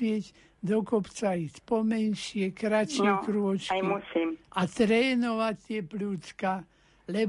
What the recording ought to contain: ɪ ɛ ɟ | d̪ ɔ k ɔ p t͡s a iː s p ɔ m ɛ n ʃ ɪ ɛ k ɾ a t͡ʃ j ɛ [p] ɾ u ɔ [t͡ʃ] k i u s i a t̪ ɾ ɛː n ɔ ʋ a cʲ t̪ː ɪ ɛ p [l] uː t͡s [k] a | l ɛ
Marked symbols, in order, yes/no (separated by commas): no, yes, yes, yes